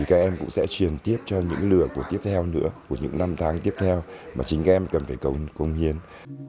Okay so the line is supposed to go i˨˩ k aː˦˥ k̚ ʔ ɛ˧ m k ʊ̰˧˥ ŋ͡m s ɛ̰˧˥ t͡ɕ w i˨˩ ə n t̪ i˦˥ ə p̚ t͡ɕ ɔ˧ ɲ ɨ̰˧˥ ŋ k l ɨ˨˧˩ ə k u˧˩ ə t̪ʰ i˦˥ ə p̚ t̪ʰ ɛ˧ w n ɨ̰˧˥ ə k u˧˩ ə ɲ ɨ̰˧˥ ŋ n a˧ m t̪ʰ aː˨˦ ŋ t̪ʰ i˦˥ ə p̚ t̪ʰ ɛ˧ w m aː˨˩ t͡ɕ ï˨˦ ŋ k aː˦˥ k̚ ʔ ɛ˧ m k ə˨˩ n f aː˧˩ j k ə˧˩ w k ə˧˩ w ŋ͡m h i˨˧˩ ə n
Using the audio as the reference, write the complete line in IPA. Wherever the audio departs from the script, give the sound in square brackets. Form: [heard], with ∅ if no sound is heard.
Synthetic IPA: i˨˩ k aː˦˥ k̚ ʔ ɛ˧ m k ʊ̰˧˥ ŋ͡m s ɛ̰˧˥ t͡ɕ w i˨˩ ə n t̪ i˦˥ ə p̚ t͡ɕ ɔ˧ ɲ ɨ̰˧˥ ŋ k l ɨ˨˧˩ ə k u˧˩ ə [t̪] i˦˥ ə p̚ t̪ʰ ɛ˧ w n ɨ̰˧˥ ə k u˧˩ ə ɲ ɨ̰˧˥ ŋ n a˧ m t̪ʰ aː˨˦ ŋ [t̪] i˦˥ ə p̚ t̪ʰ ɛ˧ w m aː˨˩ t͡ɕ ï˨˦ ŋ k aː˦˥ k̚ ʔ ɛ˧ m k ə˨˩ n f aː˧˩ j k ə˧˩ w k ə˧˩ w ŋ͡m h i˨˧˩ ə n